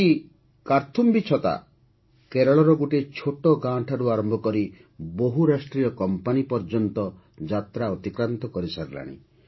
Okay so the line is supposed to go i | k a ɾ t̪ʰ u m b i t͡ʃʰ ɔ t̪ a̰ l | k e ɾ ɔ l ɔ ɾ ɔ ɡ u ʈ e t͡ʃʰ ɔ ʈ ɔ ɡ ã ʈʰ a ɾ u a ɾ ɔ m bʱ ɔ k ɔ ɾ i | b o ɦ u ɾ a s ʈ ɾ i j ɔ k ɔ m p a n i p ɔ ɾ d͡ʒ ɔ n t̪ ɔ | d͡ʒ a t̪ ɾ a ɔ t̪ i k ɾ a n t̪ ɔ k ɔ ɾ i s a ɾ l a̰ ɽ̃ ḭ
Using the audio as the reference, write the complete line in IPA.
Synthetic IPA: i | k a ɾ t̪ʰ u m b i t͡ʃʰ ɔ t̪ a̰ | k e ɾ ɔ ɭ ɔ ɾ ɔ ɡ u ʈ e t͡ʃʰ o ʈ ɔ ɡ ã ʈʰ a ɾ u a ɾ ɔ m bʱ ɔ k ɔ ɾ i | b o ɦ u ɾ a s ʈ ɾ i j ɔ k ɔ m p a n i p ɔ ɾ d͡ʒ ɔ n t̪ ɔ | d͡ʒ a t̪ ɾ a ɔ t̪ i k ɾ a n t̪ ɔ k ɔ ɾ i s a ɾ l a̰ ɽ̃ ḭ